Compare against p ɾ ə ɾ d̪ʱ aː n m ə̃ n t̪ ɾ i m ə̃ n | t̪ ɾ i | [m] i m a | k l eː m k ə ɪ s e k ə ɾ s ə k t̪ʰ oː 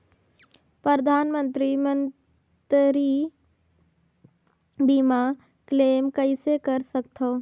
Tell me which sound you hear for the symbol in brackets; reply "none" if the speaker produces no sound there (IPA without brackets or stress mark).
b